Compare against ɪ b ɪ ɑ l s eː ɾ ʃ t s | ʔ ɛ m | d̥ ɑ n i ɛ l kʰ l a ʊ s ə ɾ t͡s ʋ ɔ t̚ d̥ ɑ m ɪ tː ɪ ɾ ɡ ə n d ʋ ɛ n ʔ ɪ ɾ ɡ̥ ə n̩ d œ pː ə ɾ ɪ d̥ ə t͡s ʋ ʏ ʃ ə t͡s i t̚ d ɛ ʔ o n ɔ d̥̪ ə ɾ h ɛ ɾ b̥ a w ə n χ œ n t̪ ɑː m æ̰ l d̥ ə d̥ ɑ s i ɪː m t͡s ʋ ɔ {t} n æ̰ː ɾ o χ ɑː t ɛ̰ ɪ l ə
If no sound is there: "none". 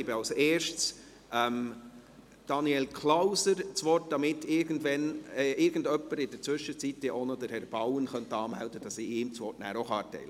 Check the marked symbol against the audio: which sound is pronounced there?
t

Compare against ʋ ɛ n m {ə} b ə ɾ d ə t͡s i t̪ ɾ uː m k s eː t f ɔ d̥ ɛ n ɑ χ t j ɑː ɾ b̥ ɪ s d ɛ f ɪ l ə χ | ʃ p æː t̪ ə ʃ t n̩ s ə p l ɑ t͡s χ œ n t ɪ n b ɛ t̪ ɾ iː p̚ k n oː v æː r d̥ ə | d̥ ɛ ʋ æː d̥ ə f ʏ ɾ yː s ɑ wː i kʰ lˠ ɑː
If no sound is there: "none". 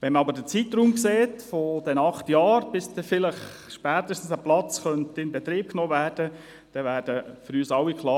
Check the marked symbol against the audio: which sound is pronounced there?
ɑ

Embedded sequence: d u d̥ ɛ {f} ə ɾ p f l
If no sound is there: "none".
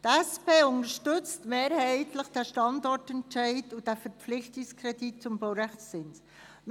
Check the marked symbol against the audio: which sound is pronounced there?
f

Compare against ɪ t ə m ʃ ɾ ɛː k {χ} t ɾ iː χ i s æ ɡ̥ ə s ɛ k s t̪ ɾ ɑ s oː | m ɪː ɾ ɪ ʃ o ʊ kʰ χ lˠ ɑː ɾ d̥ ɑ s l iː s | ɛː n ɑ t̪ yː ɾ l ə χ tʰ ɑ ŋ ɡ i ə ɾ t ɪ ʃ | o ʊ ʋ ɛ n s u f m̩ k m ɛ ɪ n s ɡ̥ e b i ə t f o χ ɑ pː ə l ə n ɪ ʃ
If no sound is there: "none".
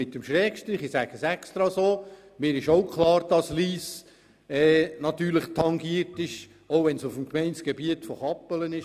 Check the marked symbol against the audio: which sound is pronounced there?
ʃ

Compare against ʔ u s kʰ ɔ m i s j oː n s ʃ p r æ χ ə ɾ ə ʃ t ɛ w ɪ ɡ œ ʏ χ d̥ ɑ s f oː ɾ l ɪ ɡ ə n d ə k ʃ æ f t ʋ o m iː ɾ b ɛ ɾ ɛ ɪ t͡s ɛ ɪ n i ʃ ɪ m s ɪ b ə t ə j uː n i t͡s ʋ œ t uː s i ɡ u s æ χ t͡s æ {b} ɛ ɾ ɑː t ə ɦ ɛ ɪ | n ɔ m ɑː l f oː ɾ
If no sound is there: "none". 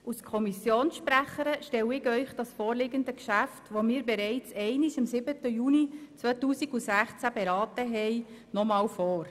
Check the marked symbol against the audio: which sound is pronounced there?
b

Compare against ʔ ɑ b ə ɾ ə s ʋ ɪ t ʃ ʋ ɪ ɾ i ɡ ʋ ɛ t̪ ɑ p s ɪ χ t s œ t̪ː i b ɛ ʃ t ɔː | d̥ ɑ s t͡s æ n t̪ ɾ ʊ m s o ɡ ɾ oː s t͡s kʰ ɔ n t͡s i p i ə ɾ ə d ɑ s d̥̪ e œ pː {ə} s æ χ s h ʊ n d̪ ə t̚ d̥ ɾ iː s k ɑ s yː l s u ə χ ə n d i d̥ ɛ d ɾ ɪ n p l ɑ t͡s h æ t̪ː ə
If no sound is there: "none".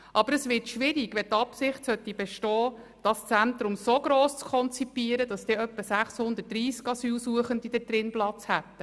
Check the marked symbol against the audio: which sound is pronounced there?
ə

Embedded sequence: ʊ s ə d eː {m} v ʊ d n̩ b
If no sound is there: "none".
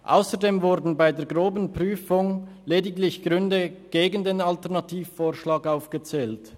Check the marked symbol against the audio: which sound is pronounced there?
m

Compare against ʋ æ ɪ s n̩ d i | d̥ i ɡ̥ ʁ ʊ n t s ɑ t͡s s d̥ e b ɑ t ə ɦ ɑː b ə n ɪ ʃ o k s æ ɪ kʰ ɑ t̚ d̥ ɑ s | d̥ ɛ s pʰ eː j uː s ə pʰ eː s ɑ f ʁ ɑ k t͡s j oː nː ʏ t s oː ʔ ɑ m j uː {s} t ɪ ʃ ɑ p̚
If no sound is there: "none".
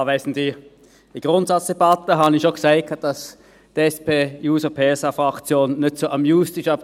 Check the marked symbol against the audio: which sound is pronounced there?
s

